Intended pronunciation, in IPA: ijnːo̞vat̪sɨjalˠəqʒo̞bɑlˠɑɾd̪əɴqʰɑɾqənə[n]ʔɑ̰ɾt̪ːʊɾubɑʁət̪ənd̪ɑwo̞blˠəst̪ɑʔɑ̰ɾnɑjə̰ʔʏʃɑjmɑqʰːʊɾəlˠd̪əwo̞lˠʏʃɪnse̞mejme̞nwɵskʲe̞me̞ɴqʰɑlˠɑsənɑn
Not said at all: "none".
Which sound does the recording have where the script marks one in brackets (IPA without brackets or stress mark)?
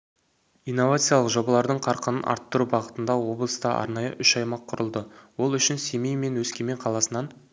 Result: n